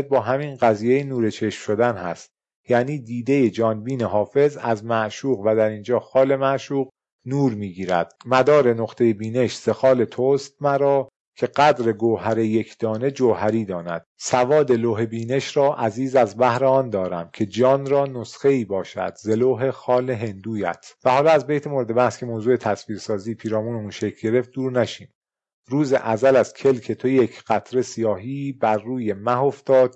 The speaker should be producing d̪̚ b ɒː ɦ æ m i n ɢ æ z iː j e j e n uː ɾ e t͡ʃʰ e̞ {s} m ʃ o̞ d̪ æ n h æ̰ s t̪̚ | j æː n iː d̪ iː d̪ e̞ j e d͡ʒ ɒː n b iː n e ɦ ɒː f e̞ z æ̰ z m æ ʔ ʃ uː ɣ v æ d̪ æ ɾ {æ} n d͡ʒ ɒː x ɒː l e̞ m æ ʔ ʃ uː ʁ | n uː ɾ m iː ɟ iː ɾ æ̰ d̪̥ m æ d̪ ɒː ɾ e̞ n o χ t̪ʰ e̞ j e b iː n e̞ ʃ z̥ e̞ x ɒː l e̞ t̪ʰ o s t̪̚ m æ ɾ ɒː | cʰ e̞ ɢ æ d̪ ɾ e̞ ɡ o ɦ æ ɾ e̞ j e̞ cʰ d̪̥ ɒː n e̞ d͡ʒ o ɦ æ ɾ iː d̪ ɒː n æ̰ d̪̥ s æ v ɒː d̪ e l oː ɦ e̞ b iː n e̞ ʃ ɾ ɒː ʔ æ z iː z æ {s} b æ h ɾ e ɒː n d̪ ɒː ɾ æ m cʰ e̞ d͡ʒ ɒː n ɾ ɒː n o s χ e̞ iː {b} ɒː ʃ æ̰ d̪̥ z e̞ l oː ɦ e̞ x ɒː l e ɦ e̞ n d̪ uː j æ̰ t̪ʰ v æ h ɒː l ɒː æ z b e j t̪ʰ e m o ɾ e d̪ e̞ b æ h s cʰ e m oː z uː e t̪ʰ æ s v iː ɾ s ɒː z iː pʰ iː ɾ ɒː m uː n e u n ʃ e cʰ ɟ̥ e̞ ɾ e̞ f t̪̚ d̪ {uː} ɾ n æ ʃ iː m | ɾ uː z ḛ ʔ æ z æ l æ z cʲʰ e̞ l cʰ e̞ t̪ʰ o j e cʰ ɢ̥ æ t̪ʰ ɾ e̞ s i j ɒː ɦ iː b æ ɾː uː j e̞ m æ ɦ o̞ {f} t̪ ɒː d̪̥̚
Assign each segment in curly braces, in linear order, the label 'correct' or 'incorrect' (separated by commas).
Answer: incorrect, incorrect, incorrect, correct, correct, correct